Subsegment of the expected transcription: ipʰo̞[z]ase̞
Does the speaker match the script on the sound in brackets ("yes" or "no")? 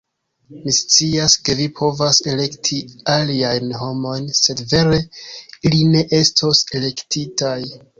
no